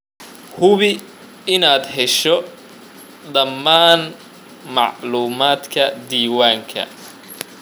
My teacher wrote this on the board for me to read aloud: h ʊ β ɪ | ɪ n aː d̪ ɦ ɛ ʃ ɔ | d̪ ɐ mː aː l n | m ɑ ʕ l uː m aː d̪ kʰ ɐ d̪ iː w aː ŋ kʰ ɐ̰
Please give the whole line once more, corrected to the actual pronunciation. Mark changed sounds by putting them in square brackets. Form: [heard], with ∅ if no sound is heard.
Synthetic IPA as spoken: h ʊ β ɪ | ɪ n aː d̪ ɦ ɛ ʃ ɔ | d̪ ɐ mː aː [∅] n | m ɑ ʕ l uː m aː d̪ kʰ ɐ d̪ iː w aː ŋ kʰ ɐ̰